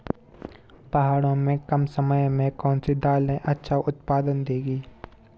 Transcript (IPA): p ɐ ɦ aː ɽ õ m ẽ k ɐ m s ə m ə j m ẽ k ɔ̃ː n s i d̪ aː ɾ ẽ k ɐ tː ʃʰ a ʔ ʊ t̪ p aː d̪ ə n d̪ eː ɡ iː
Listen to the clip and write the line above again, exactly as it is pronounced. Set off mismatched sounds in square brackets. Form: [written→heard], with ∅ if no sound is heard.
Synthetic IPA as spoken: p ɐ ɦ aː ɽ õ m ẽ k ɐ m s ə m ə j m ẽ k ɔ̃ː n s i d̪ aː [ɾ→l] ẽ [k→ʔ] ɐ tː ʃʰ a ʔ ʊ t̪ p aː d̪ ə n d̪ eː ɡ iː